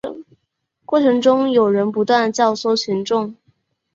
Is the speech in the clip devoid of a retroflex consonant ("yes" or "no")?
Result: no